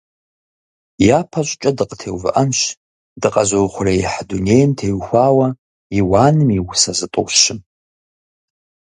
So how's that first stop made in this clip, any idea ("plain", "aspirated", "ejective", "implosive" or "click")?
aspirated